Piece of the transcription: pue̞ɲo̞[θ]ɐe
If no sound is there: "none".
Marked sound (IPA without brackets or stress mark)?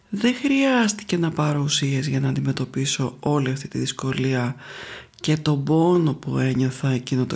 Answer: θ